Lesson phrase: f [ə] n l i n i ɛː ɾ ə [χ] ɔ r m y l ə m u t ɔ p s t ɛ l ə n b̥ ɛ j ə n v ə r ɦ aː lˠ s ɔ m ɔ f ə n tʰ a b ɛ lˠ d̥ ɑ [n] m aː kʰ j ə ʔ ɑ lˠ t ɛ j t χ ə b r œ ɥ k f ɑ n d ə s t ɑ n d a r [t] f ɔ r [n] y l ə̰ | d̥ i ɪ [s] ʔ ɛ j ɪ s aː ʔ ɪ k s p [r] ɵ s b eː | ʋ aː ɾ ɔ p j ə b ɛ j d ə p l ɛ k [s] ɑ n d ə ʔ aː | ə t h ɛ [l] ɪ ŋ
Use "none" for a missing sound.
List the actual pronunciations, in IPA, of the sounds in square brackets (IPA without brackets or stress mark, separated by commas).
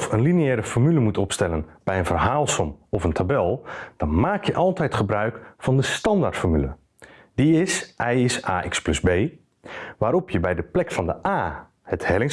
ə, f, n, t, m, s, l, f, l